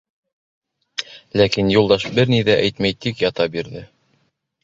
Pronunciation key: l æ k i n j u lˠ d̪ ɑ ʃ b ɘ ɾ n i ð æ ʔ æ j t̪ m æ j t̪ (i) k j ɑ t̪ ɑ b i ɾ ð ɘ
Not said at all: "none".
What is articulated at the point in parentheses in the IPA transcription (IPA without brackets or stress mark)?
i